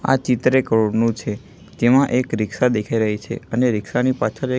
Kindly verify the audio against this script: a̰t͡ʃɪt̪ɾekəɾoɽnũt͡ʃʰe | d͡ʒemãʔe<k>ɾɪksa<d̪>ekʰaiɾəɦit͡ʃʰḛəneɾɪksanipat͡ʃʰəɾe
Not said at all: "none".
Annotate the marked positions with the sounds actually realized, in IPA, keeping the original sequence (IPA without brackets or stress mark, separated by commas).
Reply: k, d̪